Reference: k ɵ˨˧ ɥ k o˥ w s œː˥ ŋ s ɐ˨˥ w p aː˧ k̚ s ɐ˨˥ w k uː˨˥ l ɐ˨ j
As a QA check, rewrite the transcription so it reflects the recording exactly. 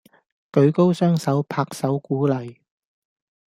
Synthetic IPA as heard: k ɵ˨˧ ɥ k o˥ w s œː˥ ŋ s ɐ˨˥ w pʰ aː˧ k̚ s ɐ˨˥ w k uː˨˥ l ɐ˨ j